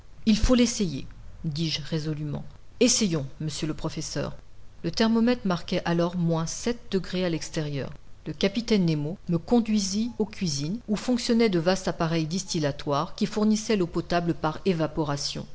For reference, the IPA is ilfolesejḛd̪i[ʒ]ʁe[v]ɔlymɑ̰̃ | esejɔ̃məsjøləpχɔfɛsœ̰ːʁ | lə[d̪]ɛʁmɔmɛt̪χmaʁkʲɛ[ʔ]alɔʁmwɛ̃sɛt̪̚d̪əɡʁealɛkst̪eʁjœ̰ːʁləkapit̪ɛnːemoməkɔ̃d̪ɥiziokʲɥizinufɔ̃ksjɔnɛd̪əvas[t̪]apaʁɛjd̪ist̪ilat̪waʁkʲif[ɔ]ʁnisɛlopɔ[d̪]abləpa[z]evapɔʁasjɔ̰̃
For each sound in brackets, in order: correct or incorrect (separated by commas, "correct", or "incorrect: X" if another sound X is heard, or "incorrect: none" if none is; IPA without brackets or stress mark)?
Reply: correct, incorrect: z, incorrect: t̪, correct, correct, incorrect: u, incorrect: t̪, incorrect: ʁ